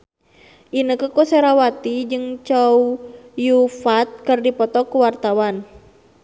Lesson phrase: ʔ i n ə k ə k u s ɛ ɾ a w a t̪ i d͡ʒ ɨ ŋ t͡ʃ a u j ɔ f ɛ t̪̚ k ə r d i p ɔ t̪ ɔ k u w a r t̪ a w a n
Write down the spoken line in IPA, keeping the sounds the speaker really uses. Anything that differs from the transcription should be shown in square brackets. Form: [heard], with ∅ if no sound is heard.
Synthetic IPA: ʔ i n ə k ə k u s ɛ ɾ a w a t̪ i d͡ʒ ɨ ŋ t͡ʃ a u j [u] f [a] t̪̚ k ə r d i p ɔ t̪ ɔ k u w a r t̪ a w a n